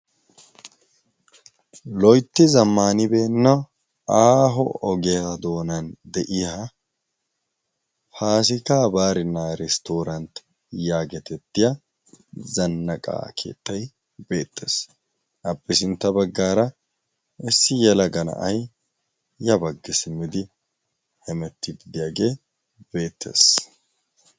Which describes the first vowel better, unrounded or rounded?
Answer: rounded